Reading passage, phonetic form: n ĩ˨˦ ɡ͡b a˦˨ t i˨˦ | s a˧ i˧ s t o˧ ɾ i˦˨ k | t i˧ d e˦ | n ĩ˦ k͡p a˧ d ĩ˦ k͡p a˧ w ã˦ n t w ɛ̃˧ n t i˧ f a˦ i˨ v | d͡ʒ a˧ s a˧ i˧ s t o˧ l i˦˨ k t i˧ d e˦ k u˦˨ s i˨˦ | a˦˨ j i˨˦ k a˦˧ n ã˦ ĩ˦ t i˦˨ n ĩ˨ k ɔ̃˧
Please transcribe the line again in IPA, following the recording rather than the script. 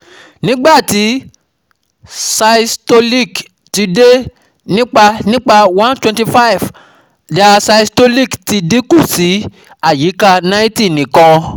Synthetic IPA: n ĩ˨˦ ɡ͡b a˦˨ t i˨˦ | s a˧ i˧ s t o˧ l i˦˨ k | t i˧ d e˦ | n ĩ˦ k͡p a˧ n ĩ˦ k͡p a˧ w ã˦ n t w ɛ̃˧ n t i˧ f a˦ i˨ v | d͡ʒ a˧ s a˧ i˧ s t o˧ l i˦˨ k t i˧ d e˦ k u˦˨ s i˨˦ | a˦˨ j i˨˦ k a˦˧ n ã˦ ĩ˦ t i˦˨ n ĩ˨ k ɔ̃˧